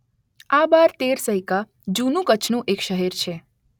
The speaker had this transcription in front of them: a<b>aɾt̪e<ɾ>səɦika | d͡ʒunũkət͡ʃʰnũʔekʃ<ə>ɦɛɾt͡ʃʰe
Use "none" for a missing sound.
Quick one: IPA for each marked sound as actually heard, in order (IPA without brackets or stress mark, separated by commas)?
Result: b, ɾ, ə